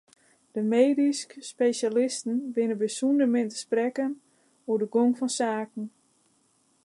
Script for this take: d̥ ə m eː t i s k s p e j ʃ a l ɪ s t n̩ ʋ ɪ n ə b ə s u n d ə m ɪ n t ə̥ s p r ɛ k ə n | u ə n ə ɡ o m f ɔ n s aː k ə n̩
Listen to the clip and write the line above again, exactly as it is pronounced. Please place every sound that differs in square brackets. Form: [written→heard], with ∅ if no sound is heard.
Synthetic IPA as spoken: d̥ ə m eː [t→d] i s k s p e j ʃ a l ɪ s t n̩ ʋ ɪ n ə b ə s u n d ə m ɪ n t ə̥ s p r ɛ k ə n | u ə [n→d] ə ɡ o [m→ŋ] f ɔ n s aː k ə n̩